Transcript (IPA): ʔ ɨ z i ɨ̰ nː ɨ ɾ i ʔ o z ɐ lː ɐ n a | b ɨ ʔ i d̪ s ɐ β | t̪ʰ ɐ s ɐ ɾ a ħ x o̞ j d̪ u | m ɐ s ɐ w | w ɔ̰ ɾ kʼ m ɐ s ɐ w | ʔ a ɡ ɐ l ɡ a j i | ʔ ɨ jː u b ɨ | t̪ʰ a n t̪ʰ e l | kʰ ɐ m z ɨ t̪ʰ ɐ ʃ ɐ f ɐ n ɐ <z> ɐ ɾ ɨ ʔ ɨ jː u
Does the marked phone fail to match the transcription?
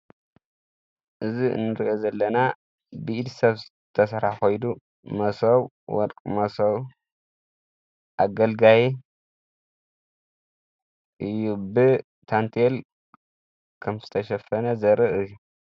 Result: no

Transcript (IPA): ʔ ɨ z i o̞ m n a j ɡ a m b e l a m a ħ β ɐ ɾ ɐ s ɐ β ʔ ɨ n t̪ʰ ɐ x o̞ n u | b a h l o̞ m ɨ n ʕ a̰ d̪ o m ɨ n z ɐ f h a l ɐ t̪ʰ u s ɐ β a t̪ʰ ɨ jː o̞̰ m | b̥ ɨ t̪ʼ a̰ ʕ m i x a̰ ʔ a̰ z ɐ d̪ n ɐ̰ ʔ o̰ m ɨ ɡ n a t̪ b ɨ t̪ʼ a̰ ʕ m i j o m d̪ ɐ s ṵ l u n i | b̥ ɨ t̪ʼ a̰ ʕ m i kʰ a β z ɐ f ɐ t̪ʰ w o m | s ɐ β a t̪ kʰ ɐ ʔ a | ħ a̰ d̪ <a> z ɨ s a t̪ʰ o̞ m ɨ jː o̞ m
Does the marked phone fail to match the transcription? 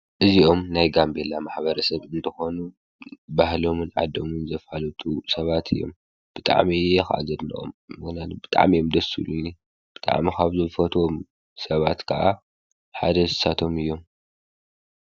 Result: yes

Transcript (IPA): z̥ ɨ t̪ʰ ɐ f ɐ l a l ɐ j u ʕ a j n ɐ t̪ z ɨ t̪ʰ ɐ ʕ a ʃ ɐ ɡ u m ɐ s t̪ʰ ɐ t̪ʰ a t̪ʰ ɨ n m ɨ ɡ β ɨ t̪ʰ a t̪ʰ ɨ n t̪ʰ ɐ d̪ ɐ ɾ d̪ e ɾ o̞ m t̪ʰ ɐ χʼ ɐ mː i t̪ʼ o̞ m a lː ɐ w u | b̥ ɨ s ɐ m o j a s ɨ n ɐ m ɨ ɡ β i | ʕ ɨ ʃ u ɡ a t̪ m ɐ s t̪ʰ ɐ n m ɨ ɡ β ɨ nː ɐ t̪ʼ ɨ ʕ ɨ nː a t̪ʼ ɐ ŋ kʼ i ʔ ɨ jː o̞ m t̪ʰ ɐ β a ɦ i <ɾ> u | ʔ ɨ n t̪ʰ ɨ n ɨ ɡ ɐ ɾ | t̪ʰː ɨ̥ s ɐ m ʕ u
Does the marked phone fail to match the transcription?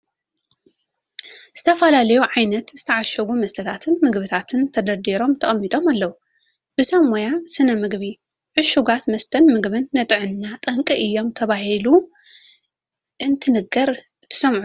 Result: yes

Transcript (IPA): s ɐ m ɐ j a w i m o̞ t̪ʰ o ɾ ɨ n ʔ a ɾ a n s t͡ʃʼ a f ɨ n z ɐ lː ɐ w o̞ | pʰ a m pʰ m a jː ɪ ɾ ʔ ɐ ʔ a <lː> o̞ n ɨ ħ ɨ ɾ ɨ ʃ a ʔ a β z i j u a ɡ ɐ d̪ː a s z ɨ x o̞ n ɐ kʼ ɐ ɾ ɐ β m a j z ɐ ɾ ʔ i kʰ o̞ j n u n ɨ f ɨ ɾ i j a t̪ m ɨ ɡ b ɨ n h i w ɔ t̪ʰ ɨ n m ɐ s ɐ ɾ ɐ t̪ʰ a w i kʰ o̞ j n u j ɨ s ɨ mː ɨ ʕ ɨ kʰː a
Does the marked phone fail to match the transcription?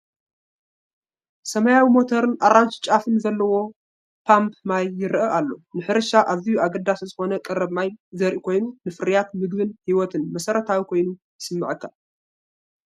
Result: no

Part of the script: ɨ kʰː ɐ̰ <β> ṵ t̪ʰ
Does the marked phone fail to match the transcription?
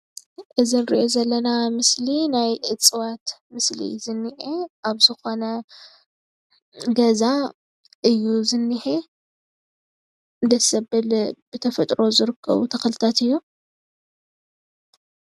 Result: no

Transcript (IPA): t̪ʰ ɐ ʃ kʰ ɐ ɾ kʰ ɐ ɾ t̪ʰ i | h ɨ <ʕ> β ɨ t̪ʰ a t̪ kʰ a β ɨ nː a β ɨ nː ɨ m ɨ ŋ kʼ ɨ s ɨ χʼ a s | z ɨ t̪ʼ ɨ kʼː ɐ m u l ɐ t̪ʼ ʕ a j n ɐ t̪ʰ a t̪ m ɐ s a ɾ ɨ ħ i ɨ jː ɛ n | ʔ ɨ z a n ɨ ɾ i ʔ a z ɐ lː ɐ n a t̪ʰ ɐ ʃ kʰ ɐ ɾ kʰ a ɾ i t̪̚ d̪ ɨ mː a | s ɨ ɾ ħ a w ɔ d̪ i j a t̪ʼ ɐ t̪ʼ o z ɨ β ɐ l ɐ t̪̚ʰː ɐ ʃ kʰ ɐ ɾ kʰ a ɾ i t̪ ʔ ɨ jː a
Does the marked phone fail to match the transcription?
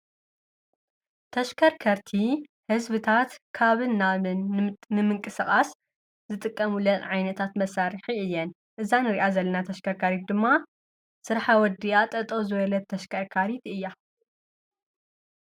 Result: yes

